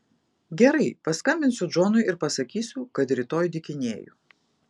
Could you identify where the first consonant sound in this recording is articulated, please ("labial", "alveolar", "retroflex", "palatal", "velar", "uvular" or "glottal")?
velar